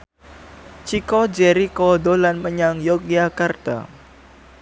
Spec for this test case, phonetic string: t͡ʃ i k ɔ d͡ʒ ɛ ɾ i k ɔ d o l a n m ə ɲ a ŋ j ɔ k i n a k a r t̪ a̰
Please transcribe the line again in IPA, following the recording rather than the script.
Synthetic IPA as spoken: t͡ʃ i k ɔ d͡ʒ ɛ ɾ i k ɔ d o l a n m ə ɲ a ŋ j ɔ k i a k a r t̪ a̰